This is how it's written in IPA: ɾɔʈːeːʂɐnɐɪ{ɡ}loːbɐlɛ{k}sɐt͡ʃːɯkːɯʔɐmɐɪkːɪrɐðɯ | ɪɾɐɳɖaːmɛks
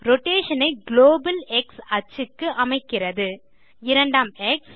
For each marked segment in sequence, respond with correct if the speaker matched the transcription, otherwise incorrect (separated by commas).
correct, correct